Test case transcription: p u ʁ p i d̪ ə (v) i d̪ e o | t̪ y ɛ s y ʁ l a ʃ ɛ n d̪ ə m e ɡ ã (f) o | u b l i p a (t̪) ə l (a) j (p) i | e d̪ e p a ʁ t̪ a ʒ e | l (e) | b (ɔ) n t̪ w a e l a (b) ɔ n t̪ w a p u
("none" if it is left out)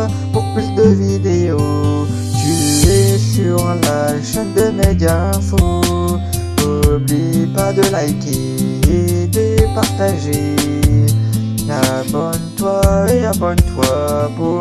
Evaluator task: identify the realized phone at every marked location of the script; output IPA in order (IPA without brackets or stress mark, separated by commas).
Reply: v, f, d̪, a, k, a, ɔ, b